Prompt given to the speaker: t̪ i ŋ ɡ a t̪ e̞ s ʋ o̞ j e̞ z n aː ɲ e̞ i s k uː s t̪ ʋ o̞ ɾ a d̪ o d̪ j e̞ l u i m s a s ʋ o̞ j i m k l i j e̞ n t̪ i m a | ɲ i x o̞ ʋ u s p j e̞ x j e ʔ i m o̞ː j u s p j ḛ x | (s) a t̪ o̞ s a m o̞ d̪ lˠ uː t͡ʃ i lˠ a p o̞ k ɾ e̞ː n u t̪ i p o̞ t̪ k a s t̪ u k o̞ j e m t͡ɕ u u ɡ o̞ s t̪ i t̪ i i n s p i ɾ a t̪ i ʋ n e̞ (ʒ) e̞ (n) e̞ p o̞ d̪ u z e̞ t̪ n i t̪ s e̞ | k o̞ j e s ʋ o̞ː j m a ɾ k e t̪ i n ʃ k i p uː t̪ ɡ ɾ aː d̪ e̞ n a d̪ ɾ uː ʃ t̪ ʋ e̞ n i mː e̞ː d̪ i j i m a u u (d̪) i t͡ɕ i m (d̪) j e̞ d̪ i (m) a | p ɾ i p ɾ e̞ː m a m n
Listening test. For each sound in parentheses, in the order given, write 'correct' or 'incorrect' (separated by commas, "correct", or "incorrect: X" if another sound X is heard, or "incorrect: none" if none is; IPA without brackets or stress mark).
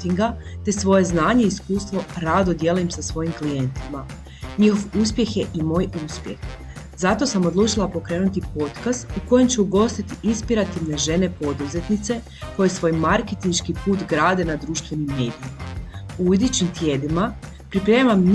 incorrect: z, correct, correct, correct, incorrect: t̪, correct